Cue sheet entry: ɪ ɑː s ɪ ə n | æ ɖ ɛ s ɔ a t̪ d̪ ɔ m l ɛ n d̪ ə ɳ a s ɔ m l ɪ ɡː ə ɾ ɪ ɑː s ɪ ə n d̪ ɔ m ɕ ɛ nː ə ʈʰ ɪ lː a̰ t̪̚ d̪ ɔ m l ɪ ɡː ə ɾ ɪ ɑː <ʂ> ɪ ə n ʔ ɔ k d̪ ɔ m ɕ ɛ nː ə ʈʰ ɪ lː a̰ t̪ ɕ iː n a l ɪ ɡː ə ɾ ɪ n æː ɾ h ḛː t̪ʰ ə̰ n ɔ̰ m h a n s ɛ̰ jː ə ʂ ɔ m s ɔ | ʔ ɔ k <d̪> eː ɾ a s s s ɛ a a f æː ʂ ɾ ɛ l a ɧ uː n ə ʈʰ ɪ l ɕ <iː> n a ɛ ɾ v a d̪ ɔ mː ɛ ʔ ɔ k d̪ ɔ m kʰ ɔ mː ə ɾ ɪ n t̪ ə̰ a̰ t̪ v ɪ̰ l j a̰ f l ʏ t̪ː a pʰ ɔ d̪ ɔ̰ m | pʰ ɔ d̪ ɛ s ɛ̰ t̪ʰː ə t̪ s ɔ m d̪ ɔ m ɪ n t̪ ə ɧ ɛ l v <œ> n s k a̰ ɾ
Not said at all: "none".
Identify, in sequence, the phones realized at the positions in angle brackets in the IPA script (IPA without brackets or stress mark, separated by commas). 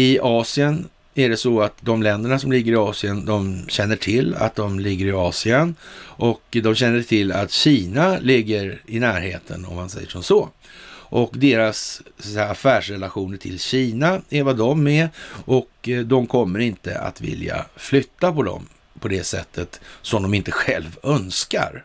s, d̪, iː, œ